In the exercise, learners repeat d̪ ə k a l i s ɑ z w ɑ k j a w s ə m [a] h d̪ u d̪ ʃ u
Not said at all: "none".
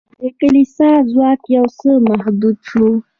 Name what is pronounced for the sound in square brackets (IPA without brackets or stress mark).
a